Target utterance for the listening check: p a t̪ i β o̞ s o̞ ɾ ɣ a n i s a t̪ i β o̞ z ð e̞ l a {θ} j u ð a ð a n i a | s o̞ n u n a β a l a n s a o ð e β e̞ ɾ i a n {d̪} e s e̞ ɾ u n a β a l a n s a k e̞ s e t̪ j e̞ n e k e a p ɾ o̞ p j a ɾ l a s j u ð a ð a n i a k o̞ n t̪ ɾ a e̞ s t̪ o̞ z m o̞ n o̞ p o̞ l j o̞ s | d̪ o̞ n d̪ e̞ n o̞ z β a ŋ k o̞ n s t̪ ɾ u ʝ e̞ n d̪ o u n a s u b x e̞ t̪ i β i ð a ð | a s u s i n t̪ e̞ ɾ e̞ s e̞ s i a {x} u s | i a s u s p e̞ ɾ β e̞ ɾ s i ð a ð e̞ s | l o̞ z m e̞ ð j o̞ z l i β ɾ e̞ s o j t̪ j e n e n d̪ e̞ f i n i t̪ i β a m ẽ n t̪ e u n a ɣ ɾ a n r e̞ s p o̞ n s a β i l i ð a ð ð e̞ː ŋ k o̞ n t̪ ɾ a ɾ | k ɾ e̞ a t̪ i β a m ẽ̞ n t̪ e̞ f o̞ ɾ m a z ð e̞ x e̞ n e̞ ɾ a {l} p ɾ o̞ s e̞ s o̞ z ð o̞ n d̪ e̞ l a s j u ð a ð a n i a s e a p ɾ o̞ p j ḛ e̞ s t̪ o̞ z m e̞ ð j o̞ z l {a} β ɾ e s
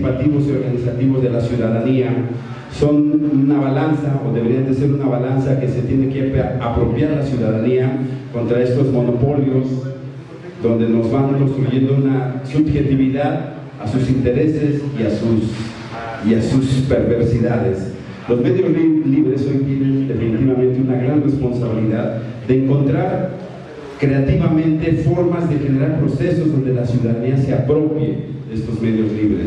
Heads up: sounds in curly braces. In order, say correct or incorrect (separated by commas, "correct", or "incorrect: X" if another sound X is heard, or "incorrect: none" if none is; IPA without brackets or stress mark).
incorrect: s, correct, incorrect: s, incorrect: ɾ, incorrect: i